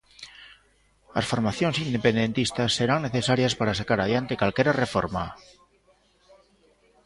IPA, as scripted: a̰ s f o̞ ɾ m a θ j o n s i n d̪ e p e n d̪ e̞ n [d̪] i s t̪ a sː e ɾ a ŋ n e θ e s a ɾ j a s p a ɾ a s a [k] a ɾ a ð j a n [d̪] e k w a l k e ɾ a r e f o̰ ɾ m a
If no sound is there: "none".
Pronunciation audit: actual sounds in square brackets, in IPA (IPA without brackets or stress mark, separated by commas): t̪, k, t̪